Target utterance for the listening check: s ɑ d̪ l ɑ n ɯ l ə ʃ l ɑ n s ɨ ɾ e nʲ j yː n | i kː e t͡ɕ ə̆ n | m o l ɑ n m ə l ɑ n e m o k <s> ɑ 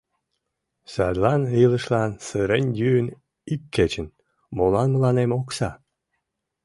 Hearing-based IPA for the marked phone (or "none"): s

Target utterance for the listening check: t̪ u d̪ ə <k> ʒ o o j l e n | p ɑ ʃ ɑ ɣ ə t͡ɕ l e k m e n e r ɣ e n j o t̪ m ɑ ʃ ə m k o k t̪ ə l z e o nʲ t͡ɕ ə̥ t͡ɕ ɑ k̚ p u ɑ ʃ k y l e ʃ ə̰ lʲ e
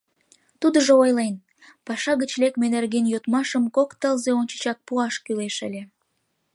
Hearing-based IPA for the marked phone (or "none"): none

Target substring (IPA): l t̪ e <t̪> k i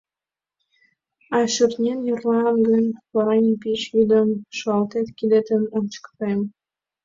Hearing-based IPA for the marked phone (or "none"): t̪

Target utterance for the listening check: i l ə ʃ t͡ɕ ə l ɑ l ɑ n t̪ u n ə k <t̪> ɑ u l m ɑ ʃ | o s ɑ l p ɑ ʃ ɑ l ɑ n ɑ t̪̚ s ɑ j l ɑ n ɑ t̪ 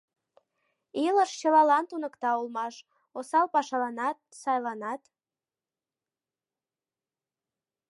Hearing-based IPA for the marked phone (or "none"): t̪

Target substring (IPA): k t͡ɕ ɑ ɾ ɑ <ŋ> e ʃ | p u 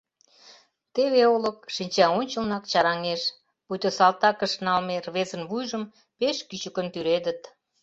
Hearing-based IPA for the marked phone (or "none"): ŋ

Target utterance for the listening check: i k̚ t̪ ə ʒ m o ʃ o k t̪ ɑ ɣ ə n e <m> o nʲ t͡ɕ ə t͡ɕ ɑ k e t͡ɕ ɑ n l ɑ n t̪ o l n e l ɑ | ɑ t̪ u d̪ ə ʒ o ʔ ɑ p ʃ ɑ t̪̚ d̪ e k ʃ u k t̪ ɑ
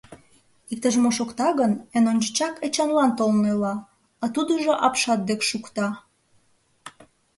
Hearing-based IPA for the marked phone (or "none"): n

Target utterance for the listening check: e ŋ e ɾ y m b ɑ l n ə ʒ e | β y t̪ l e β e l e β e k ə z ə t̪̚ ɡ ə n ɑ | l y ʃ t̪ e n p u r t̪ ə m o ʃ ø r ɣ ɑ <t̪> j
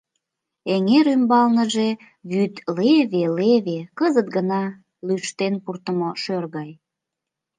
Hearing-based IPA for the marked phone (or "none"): none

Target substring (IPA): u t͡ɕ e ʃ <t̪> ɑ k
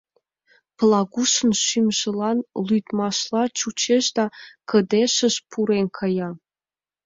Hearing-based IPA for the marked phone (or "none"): d̪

